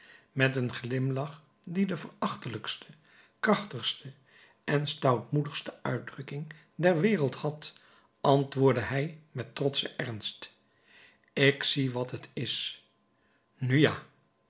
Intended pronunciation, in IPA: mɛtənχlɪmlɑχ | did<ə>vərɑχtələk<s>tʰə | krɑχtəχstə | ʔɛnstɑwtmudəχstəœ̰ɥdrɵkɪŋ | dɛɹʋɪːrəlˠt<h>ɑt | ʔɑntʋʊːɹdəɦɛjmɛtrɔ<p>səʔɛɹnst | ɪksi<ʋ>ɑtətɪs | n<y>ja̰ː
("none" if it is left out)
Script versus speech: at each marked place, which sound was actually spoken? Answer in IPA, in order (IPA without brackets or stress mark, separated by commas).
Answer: ə, s, h, t, ʋ, y